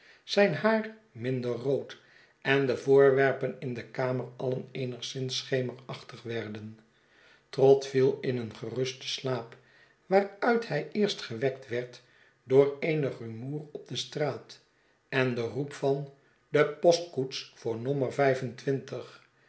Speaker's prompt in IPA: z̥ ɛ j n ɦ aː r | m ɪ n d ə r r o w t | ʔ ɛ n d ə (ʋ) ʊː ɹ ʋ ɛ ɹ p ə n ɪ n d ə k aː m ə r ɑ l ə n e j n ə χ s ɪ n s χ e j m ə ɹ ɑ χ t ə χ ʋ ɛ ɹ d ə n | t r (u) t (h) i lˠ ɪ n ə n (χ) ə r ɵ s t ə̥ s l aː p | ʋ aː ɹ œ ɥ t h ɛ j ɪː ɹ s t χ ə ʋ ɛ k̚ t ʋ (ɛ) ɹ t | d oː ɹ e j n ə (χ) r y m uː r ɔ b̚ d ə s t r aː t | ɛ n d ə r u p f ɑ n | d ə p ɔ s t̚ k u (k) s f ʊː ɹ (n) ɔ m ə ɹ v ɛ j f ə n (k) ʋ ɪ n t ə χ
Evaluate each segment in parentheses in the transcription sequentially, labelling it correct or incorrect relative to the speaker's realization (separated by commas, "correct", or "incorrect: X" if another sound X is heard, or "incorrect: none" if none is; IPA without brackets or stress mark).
incorrect: v, incorrect: ɔ, incorrect: f, correct, correct, correct, incorrect: t, correct, incorrect: t